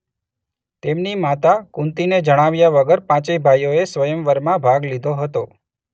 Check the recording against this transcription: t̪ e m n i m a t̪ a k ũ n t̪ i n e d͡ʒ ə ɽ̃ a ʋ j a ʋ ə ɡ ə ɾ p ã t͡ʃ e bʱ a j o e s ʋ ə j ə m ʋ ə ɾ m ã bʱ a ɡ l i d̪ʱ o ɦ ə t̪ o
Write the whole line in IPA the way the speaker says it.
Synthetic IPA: t̪ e m n i m a t̪ a k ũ n t̪ i n e d͡ʒ ə ɽ̃ a ʋ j a ʋ ə ɡ ə ɾ p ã t͡ʃ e bʱ a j o e s ʋ ə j ə m ʋ ə ɾ m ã bʱ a ɡ l i d̪ʱ o ɦ ə t̪ o